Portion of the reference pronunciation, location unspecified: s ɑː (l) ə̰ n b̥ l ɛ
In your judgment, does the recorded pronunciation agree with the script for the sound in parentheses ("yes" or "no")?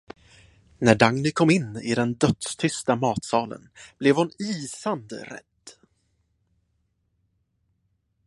yes